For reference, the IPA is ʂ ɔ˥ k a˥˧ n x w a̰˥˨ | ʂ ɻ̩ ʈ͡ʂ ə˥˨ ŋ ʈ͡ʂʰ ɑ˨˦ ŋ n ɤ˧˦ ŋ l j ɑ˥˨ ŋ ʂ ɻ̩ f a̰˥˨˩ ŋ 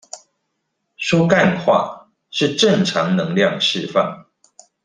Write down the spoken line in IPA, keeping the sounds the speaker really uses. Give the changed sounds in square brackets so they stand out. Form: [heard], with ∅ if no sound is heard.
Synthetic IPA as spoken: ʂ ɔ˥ k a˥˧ n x w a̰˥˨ | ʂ ɻ̩ ʈ͡ʂ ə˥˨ ŋ ʈ͡ʂʰ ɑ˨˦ ŋ n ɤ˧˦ ŋ l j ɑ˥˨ ŋ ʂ ɻ̩ f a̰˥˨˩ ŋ